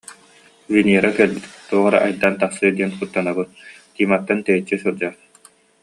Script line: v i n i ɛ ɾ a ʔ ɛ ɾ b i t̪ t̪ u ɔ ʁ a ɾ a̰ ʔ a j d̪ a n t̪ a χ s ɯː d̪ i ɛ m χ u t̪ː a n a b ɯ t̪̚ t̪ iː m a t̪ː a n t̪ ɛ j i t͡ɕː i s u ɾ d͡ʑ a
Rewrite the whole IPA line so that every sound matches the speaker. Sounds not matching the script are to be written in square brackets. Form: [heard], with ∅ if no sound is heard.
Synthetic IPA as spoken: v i n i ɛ ɾ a [k] ɛ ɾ b i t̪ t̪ u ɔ ʁ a ɾ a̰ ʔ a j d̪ a n t̪ a χ s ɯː d̪ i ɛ [n] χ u t̪ː a n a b ɯ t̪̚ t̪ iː m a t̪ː a n t̪ ɛ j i t͡ɕː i s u ɾ d͡ʑ a